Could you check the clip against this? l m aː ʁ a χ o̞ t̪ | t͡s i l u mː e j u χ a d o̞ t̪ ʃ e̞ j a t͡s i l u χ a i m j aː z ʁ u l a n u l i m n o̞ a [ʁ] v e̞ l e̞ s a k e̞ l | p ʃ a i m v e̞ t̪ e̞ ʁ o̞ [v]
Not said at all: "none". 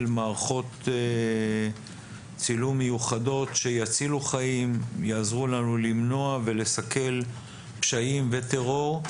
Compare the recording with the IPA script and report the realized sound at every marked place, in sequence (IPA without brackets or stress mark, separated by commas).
none, ʁ